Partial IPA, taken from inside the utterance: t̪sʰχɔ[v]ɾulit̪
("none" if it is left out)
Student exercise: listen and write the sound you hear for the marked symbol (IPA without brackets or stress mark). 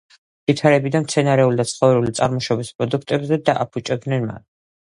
v